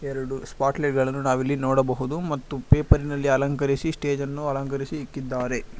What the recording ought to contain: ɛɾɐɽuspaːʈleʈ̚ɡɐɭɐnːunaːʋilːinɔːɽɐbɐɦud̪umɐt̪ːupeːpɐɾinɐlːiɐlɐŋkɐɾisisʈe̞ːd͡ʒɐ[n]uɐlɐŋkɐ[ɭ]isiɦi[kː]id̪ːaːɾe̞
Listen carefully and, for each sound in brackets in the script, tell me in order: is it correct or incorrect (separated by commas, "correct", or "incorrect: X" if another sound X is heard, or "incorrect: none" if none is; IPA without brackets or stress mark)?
incorrect: nː, incorrect: ɾ, correct